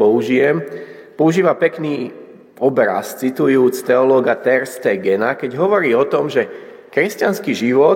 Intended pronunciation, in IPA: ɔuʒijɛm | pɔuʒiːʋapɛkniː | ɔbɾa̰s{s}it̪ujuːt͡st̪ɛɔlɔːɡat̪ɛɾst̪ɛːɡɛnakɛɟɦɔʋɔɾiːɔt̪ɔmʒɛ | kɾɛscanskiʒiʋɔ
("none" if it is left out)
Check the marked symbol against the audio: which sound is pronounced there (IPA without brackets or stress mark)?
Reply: t͡s